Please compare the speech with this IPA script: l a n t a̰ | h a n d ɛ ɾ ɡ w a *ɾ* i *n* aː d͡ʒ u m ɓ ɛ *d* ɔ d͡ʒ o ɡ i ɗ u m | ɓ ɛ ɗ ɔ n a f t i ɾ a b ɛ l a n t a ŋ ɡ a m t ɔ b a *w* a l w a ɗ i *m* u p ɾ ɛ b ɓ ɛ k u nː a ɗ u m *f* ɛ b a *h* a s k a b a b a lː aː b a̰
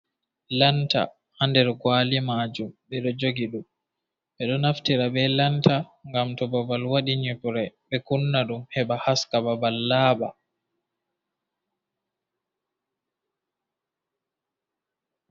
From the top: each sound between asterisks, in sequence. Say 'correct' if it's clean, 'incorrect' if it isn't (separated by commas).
incorrect, incorrect, incorrect, incorrect, incorrect, incorrect, correct